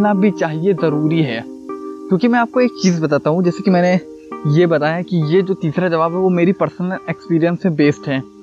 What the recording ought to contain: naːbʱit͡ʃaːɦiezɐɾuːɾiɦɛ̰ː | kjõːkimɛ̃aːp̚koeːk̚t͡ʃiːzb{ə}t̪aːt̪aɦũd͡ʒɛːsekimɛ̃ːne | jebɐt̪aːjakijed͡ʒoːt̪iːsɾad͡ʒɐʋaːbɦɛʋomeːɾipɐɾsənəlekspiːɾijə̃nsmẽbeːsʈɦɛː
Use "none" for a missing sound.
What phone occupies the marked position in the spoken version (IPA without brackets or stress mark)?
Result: ɐ